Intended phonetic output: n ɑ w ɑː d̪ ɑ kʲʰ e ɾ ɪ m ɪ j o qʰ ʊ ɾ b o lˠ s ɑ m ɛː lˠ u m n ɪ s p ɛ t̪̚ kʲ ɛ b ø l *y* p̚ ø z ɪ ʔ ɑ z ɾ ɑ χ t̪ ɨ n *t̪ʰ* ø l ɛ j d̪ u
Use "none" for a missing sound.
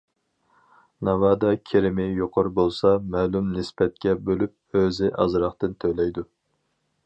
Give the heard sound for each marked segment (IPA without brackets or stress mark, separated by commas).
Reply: y, t̪ʰ